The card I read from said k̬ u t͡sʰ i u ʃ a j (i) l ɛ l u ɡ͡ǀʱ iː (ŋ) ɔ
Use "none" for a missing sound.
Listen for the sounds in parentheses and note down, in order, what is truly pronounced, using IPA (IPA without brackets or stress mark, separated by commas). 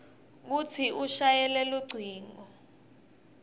ɛ, ŋ